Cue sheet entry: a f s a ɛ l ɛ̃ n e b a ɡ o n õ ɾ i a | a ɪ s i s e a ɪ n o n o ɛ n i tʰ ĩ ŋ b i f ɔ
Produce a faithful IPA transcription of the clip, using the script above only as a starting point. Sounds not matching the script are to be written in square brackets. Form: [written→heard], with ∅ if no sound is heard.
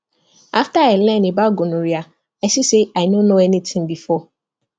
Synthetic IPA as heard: a f [s→t] a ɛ l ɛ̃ n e b a ɡ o n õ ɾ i a | a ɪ s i s e a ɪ n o n o ɛ n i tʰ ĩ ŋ b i f ɔ